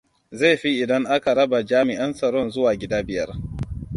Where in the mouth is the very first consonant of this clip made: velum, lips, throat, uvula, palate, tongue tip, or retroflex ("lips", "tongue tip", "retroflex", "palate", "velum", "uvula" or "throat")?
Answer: tongue tip